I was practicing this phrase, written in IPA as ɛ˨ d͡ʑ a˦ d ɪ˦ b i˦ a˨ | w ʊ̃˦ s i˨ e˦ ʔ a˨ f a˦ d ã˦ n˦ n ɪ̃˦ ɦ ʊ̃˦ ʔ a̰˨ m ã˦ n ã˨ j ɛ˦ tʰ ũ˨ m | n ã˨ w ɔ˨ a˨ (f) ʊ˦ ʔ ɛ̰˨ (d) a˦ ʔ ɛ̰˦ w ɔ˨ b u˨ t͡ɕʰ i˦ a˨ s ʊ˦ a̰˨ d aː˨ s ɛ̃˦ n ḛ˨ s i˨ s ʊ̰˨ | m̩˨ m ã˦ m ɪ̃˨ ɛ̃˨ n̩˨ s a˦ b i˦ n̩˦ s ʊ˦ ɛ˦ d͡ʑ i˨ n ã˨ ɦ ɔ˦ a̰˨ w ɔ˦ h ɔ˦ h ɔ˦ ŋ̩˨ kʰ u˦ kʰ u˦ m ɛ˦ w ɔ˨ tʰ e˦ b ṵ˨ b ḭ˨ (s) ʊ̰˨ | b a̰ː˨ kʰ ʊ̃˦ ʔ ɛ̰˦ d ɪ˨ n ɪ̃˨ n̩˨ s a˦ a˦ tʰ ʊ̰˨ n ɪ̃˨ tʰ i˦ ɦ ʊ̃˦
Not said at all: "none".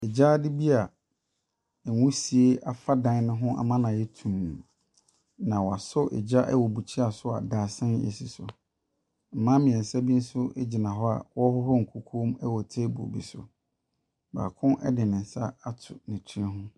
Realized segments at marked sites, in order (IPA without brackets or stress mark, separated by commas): s, d͡ʑ, s